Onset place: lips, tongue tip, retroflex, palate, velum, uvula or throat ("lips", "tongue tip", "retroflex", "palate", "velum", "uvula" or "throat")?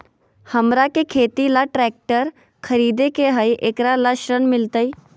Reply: throat